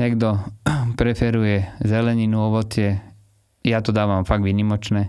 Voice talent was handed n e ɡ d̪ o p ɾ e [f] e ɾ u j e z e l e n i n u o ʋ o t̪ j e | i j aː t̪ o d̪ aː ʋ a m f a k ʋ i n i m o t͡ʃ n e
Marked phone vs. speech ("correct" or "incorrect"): correct